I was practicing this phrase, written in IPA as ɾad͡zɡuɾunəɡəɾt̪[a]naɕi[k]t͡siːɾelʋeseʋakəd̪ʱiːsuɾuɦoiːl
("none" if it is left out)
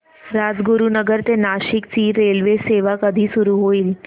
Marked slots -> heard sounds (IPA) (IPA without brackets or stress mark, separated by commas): e, k